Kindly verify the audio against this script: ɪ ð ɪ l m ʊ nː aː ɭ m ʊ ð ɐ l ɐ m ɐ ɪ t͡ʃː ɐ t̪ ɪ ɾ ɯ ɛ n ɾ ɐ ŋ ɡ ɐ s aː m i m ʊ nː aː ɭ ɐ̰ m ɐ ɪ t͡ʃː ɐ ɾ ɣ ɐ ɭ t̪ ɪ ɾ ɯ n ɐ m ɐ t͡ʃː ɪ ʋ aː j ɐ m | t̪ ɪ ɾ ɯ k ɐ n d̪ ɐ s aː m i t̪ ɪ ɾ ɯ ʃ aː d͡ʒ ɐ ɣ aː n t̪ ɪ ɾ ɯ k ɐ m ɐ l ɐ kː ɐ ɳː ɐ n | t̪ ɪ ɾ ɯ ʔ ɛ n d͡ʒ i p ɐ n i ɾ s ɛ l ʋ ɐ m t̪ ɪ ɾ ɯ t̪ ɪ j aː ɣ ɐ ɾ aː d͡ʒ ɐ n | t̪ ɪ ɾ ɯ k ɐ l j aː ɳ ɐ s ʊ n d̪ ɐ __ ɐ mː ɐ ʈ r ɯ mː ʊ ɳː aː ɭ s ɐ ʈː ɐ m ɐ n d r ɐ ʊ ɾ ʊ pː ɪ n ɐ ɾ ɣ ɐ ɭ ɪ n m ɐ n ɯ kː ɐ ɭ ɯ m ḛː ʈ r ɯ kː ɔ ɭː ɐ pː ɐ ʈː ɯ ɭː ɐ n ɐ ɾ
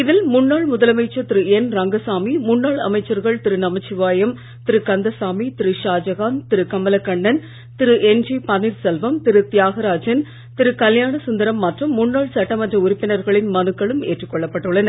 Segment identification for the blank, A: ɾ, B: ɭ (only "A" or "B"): A